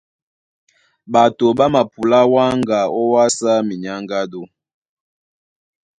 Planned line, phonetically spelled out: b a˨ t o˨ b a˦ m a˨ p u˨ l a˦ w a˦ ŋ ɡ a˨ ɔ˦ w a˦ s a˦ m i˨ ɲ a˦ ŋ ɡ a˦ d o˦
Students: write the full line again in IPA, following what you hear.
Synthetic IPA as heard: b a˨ t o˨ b a˦ m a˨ p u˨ l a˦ w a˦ ŋ ɡ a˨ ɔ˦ w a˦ s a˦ m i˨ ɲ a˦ ŋ ɡ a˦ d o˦